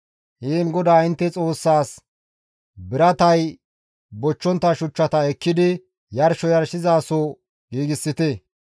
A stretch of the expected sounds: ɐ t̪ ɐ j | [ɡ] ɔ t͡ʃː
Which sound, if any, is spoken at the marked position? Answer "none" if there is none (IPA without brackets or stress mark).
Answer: b